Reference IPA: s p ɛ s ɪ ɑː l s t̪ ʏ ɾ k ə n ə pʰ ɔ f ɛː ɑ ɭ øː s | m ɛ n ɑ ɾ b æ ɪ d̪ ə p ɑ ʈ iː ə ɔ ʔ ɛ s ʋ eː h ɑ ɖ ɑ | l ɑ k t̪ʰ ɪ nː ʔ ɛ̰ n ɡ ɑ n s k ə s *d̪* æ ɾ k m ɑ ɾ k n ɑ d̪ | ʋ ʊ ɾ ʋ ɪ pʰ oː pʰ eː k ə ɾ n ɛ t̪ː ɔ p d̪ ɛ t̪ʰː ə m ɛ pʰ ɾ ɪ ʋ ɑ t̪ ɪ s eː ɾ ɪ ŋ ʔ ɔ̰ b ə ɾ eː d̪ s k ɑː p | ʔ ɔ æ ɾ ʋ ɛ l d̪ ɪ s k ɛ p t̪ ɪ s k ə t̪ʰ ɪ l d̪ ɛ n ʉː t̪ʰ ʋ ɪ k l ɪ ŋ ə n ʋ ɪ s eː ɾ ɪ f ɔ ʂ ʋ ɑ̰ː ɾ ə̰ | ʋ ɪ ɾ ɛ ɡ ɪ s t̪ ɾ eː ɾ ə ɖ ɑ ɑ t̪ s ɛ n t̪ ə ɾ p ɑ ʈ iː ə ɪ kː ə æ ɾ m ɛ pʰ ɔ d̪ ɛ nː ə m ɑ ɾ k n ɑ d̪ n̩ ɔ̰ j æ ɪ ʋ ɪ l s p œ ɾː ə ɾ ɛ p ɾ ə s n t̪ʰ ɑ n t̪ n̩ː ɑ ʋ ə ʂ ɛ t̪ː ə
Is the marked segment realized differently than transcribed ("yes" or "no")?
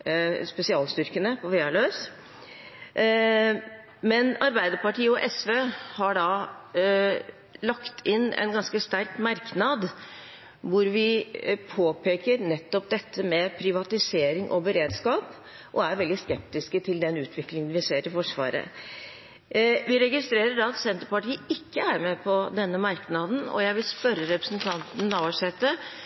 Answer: yes